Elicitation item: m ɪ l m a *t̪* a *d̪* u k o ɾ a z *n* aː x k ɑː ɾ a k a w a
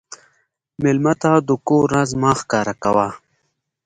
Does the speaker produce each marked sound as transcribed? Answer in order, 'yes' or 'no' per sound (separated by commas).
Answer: yes, yes, no